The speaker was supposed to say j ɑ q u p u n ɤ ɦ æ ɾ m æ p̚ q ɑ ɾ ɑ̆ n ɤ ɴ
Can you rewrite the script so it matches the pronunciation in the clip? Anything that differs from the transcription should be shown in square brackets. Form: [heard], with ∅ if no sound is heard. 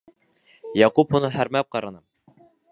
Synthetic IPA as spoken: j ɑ q u p u n ɤ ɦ æ ɾ m æ p̚ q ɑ ɾ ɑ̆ n ɤ [m]